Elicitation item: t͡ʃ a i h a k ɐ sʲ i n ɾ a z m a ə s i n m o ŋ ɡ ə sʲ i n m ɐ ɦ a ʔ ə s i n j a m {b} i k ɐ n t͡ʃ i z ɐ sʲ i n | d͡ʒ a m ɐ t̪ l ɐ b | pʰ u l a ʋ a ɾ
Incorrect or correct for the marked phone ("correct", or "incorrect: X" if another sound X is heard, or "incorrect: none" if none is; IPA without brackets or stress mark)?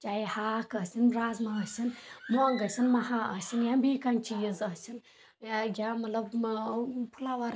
correct